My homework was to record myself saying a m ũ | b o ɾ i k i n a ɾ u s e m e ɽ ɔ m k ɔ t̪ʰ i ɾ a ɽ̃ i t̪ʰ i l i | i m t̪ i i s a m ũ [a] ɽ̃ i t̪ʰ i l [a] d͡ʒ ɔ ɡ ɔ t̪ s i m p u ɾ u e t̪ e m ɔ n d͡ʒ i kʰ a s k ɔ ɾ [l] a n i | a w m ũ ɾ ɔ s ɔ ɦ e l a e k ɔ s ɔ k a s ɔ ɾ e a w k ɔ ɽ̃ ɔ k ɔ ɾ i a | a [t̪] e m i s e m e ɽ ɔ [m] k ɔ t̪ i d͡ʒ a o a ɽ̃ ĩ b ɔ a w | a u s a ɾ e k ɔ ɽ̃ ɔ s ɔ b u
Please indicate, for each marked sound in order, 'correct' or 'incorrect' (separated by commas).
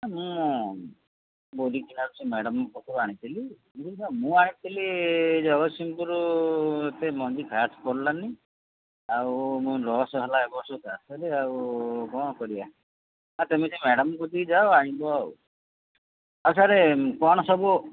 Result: correct, incorrect, correct, correct, correct